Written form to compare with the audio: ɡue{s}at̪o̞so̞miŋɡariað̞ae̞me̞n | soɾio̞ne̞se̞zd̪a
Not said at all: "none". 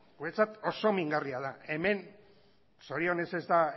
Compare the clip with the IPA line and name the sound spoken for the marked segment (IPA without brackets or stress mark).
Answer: t͡s